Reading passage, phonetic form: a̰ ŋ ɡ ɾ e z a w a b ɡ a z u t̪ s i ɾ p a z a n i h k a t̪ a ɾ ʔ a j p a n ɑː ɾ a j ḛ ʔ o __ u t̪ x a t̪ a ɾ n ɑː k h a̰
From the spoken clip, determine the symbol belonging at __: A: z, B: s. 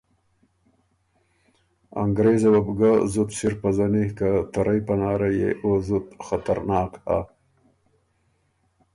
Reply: A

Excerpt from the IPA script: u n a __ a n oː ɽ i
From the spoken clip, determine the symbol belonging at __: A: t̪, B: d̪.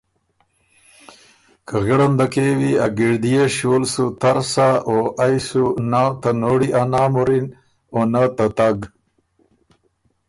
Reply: A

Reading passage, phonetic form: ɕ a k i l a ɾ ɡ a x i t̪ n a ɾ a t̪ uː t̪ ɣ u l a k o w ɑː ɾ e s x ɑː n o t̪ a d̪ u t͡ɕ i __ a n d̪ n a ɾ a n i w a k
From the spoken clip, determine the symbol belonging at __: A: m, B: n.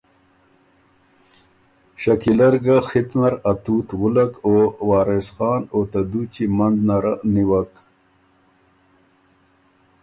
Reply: A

